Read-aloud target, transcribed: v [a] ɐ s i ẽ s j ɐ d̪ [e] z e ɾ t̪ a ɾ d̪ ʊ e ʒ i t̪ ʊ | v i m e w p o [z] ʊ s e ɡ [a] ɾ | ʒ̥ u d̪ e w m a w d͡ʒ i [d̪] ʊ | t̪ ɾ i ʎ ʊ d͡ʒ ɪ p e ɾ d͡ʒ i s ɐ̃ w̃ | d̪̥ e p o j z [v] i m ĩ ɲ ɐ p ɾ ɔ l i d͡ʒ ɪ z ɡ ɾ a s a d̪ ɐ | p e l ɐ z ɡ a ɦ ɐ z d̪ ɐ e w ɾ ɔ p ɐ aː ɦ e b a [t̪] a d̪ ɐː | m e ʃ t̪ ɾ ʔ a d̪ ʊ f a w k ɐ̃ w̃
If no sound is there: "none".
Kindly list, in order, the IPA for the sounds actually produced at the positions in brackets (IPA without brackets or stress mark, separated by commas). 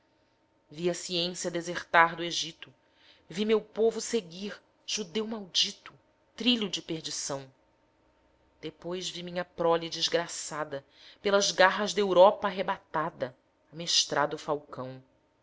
i, e, v, i, t̪, v, t̪